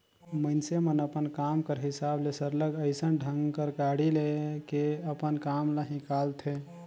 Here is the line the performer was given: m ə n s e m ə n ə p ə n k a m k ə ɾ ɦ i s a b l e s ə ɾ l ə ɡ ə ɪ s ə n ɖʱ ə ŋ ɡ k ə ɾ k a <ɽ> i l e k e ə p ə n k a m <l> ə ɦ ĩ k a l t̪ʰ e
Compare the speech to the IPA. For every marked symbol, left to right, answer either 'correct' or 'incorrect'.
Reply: correct, correct

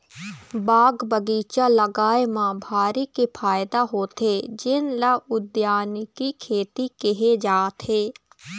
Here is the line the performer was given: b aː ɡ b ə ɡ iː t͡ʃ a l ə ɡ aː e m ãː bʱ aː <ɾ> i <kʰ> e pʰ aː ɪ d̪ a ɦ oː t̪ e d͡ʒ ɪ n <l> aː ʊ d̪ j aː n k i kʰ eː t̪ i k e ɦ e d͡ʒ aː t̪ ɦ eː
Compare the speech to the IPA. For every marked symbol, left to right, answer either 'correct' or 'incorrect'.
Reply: correct, incorrect: k, correct

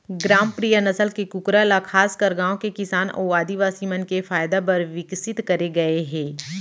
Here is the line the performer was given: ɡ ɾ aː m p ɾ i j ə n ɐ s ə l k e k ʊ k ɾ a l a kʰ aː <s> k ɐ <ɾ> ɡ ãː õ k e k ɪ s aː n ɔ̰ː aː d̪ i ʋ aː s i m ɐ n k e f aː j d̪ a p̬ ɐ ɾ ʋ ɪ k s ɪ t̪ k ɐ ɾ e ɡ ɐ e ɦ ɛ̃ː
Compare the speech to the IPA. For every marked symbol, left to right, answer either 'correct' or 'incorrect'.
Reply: correct, correct

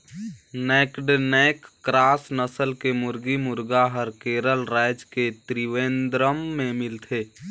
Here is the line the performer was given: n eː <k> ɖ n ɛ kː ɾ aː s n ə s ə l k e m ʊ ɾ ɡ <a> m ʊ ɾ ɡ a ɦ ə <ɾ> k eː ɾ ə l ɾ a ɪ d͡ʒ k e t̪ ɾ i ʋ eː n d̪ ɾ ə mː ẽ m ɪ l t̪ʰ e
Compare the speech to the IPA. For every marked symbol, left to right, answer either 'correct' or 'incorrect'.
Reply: correct, incorrect: i, correct

